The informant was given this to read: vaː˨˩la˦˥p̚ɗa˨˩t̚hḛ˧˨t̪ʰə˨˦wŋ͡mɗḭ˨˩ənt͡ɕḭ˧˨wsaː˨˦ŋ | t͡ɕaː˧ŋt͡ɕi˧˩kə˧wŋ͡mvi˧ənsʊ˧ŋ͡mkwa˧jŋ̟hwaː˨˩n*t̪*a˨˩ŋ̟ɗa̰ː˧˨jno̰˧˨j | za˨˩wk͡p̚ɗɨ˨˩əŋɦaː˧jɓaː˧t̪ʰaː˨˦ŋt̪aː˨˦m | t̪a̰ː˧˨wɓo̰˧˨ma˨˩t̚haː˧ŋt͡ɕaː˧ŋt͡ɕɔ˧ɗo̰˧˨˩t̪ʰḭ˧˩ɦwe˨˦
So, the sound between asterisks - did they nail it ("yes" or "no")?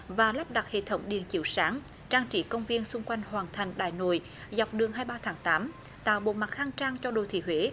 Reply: no